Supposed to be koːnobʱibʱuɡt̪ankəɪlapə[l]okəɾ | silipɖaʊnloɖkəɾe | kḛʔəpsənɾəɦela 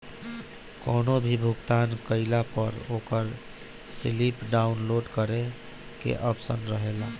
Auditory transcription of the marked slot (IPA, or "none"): ɾ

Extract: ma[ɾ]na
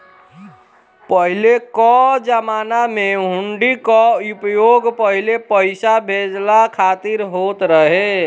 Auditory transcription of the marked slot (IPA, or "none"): none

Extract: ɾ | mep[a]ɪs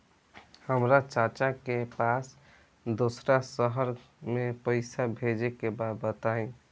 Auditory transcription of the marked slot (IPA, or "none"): ə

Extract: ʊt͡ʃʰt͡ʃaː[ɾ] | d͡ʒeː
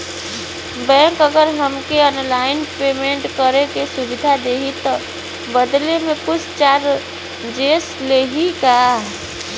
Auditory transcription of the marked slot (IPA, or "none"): ɾ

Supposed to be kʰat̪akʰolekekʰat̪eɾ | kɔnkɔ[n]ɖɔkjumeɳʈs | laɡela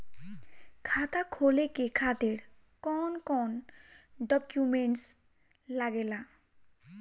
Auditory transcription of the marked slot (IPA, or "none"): n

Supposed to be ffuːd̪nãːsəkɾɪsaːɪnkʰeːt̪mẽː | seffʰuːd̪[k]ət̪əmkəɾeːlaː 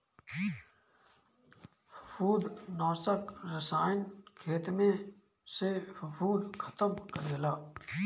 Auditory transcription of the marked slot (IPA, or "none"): kʰ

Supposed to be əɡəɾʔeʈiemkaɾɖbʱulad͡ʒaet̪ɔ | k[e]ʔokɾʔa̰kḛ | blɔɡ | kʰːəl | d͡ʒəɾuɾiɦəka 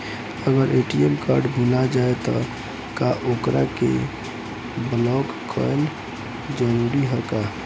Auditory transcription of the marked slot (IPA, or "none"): a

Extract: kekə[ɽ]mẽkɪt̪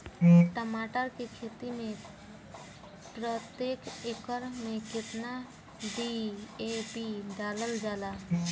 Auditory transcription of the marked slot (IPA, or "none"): ɾ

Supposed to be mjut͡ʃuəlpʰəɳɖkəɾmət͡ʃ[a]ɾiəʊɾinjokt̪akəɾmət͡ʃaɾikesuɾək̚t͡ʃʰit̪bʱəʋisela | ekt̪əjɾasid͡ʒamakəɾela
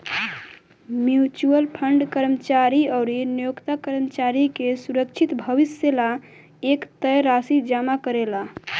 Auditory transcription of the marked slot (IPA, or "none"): a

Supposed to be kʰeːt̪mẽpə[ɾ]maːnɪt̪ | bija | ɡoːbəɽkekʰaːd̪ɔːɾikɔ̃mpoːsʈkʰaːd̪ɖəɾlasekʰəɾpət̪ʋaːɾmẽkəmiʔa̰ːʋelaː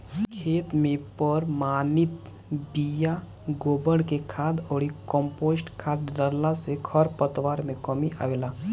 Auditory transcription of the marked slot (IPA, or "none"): ɾ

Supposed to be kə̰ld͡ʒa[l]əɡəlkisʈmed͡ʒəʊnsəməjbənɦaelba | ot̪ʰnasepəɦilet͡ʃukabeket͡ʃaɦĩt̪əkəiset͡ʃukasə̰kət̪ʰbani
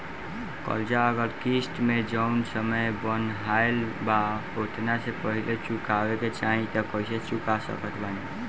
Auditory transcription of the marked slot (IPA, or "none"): none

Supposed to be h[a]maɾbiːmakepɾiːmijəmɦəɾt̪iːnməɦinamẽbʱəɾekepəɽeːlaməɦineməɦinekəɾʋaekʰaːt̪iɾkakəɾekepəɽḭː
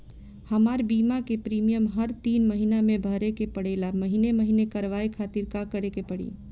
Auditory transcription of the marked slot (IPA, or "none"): ə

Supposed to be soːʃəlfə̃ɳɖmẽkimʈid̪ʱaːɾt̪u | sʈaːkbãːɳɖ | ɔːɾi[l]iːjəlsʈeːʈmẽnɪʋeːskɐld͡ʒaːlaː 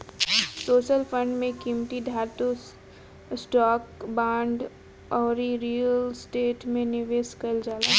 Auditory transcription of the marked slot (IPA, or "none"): ɾ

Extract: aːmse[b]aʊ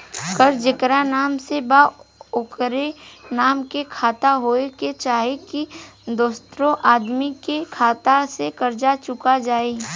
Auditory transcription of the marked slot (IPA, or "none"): b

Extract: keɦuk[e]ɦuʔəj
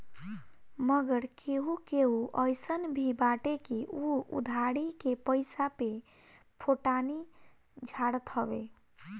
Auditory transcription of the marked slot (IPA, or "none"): e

